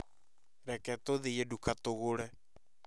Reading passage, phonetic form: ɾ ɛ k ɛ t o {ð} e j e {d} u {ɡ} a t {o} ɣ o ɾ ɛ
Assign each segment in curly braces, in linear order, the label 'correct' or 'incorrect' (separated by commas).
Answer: correct, correct, incorrect, correct